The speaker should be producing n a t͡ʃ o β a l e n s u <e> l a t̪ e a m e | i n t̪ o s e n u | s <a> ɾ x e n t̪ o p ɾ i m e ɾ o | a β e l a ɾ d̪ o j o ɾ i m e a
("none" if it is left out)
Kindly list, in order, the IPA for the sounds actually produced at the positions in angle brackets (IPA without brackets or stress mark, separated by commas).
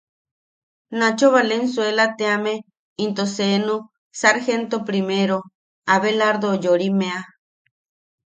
e, a